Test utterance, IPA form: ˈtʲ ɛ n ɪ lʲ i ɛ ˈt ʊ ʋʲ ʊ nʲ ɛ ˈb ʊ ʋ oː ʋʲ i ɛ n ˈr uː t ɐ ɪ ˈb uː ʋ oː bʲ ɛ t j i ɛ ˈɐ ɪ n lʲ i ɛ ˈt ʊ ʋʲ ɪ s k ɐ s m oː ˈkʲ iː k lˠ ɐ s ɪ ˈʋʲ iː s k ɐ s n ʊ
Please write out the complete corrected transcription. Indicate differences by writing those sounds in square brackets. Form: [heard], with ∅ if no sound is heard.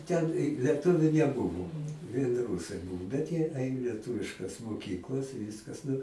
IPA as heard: ˈtʲ ɛ n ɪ lʲ i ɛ ˈt ʊ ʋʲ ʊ nʲ ɛ ˈb ʊ ʋ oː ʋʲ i ɛ n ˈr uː [s] ɐ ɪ ˈb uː ʋ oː bʲ ɛ t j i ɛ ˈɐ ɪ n lʲ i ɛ ˈt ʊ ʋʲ ɪ [ʃ] k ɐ s m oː ˈkʲ iː k lˠ ɐ s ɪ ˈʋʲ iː s k ɐ s n ʊ